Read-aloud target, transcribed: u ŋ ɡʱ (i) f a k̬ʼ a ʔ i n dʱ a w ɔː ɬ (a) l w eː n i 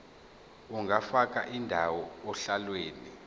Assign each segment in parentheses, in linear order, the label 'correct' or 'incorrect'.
incorrect: a, correct

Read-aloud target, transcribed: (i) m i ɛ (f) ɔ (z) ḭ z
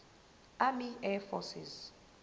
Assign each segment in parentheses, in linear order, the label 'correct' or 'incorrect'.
incorrect: a, correct, incorrect: s

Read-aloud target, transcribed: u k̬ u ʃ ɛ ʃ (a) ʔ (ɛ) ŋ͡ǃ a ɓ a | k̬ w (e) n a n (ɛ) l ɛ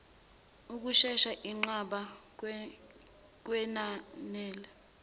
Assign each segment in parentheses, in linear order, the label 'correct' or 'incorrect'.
correct, incorrect: i, incorrect: ɛ, incorrect: ɛː

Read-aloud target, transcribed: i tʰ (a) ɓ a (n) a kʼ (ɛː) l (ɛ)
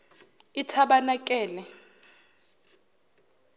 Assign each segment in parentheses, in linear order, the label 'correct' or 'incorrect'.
correct, correct, correct, correct

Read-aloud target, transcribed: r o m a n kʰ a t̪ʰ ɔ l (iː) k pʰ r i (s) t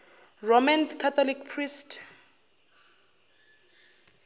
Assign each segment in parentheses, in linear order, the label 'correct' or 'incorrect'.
incorrect: i, correct

